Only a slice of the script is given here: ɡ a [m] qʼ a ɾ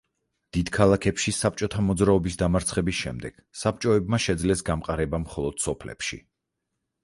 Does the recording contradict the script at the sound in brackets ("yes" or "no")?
no